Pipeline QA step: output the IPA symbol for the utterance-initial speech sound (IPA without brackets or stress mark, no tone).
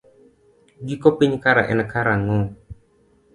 ɡ